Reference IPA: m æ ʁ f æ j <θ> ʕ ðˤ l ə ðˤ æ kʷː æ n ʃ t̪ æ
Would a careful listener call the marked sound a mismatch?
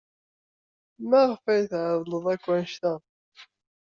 no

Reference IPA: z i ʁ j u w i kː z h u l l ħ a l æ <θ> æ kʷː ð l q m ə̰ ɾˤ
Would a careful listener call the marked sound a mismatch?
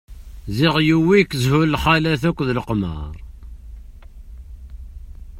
no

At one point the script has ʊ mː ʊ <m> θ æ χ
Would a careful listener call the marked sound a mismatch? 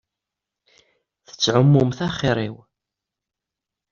no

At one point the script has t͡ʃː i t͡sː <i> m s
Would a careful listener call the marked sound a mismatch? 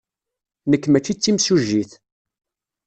no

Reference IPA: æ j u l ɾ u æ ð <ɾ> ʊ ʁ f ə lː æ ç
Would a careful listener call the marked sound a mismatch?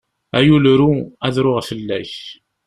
no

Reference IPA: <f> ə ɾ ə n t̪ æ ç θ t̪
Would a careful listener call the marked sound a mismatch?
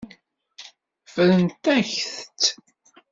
no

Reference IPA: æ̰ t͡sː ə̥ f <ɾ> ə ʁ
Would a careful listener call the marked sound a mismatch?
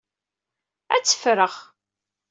no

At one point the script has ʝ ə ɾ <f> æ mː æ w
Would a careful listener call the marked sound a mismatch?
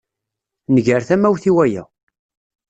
yes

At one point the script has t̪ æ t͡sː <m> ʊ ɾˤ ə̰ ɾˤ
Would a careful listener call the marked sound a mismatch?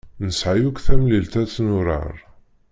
yes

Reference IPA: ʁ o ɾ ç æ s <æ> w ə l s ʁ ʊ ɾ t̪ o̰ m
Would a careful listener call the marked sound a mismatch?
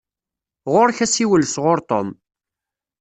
yes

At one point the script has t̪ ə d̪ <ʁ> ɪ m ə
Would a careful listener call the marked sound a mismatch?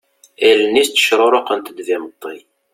yes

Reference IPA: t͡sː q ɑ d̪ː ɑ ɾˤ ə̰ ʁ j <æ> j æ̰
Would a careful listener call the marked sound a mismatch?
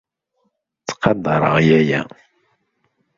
no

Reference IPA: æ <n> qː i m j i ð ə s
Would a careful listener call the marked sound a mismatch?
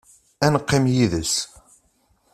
no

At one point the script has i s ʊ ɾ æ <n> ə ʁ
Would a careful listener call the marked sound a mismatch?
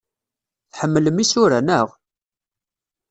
no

